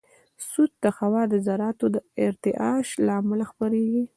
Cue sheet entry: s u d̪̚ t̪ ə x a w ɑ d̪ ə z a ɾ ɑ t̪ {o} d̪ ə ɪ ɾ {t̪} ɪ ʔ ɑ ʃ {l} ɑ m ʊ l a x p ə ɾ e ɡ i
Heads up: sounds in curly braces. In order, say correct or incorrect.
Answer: correct, correct, correct

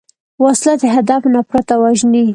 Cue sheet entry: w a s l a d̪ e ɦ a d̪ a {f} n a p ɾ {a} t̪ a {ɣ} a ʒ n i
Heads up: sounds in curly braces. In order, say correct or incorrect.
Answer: correct, correct, incorrect: w

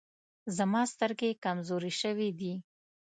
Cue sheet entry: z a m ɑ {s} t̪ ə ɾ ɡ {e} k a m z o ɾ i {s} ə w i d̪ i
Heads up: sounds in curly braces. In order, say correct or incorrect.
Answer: correct, correct, incorrect: ʃ

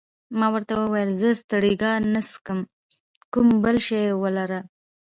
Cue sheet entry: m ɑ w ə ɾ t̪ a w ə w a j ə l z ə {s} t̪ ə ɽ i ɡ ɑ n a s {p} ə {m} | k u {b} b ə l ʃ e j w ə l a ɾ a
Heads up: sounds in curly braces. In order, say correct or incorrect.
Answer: correct, incorrect: k, correct, incorrect: m

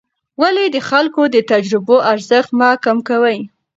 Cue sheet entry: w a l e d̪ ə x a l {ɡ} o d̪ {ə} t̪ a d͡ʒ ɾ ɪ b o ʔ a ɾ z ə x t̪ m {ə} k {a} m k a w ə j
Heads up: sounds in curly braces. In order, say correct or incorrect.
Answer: incorrect: k, correct, incorrect: ɑ, correct

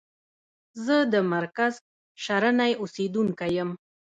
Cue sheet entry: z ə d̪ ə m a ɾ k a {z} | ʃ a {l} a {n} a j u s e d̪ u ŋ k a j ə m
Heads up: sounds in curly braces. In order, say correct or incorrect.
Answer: correct, incorrect: ɾ, correct

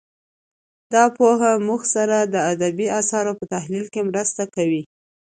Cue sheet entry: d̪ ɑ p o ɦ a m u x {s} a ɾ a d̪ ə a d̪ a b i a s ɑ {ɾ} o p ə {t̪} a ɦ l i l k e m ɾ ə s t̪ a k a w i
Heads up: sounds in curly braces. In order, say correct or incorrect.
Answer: correct, correct, correct

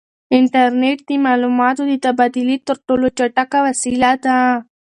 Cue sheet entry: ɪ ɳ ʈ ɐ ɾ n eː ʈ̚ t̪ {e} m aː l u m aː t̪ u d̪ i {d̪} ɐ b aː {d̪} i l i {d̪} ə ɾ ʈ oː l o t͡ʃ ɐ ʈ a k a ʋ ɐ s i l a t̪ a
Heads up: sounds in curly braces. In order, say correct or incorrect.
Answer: incorrect: i, incorrect: t̪, correct, incorrect: t̪

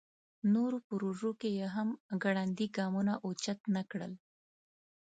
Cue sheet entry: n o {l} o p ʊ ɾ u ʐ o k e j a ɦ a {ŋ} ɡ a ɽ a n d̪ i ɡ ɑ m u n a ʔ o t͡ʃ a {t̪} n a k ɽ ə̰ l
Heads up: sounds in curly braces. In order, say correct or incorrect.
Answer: incorrect: ɾ, incorrect: m, correct

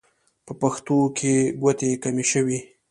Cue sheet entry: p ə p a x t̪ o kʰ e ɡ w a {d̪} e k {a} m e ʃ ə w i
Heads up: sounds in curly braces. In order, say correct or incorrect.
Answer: incorrect: t̪, correct

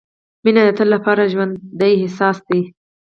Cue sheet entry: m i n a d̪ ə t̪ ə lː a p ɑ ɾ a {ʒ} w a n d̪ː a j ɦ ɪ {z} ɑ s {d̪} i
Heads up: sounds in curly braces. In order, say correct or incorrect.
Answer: correct, incorrect: s, correct

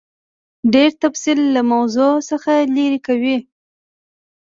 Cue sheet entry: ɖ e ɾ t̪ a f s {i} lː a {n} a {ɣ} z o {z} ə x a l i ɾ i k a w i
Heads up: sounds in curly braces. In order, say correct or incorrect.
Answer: correct, incorrect: m, incorrect: w, incorrect: s

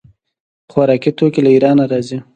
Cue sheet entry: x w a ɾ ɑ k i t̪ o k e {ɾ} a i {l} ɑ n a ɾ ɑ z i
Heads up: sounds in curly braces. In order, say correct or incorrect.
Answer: incorrect: l, incorrect: ɾ

